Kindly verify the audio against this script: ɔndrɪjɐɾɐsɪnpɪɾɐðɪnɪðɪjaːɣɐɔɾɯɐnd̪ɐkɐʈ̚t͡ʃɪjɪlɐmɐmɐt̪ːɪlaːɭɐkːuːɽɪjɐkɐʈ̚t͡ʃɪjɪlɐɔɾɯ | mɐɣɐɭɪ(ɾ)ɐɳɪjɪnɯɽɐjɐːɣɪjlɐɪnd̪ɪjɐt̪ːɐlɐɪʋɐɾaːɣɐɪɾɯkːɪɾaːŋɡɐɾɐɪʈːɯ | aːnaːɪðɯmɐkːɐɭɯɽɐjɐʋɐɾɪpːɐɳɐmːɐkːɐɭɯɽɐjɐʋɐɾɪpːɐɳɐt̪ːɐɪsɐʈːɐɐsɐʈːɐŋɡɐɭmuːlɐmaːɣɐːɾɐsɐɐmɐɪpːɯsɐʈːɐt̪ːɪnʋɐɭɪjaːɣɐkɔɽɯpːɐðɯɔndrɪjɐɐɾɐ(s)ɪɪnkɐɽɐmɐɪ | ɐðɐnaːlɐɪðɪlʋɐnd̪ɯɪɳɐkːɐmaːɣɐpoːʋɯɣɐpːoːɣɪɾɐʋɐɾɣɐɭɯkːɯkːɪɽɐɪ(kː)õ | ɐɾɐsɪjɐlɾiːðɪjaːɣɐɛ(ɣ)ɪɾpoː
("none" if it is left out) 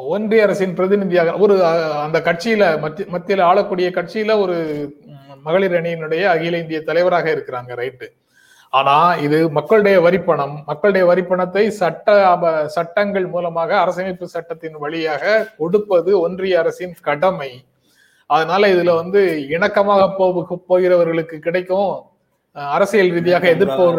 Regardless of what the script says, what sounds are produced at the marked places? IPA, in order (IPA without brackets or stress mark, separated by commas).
ɾ, s, kː, ð